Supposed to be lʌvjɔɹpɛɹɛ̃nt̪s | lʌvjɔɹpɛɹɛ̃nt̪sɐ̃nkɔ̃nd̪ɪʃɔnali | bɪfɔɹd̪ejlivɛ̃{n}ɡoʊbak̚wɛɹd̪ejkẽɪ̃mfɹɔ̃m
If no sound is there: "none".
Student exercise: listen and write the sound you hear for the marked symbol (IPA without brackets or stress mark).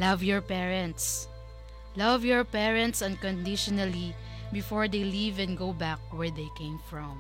n